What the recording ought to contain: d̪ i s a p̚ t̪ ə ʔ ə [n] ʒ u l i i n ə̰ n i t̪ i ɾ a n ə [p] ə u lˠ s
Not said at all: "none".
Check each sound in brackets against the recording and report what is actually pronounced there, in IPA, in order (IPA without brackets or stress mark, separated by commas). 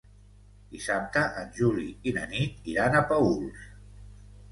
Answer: n, p